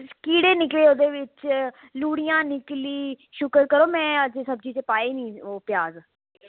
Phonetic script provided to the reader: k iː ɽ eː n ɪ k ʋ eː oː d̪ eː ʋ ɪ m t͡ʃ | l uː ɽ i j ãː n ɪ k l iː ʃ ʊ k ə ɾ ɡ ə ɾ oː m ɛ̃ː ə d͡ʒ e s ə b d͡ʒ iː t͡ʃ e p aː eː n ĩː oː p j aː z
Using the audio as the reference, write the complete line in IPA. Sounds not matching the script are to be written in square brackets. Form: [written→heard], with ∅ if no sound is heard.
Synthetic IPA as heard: k iː ɽ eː n ɪ k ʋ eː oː d̪ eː ʋ ɪ [m→∅] t͡ʃ | l uː ɽ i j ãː n ɪ k l iː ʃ ʊ k ə ɾ [ɡ→k] ə ɾ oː m ɛ̃ː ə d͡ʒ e s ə b d͡ʒ iː t͡ʃ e p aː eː n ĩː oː p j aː z